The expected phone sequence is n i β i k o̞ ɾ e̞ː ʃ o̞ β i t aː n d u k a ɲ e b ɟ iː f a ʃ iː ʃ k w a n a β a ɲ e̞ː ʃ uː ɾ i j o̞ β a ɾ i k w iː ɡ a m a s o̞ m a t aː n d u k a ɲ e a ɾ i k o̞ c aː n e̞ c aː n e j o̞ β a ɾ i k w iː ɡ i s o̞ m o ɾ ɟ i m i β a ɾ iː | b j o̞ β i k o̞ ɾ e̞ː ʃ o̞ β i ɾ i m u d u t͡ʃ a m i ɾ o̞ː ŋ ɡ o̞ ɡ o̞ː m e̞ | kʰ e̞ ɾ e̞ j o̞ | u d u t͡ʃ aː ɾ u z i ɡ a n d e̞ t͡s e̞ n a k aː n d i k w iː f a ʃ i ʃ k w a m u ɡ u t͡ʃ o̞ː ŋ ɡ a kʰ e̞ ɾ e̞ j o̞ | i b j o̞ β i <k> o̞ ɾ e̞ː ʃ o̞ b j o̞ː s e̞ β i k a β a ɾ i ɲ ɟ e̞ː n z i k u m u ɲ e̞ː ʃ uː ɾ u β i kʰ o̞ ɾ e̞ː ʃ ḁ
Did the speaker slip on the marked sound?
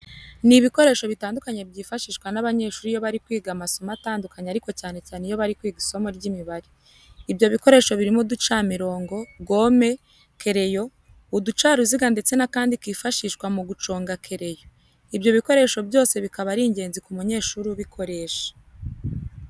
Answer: no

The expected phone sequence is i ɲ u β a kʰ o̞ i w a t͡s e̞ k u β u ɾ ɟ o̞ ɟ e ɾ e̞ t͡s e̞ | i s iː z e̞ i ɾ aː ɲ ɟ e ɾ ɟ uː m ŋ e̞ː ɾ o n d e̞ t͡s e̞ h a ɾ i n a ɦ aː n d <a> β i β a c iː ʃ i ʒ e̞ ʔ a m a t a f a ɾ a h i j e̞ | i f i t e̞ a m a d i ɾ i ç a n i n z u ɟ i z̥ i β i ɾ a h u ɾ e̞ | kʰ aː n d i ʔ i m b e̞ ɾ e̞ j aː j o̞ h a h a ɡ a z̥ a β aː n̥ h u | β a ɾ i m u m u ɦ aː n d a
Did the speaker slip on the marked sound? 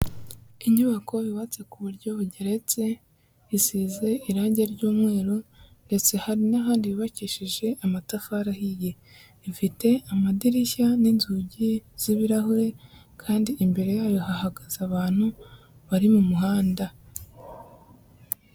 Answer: yes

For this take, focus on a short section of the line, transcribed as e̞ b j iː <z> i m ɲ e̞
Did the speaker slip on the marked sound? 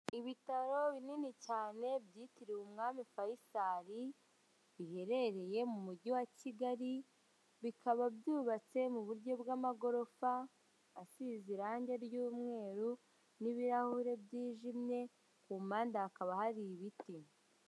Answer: yes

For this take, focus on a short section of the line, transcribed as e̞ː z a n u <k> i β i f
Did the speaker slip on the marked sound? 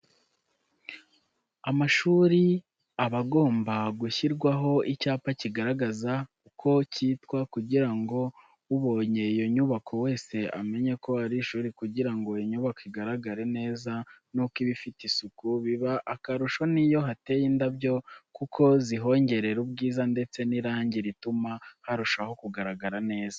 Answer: no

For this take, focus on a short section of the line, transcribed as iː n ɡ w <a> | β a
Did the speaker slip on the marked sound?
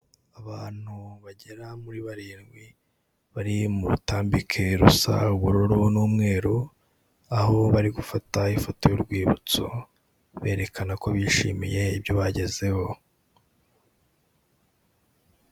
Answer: yes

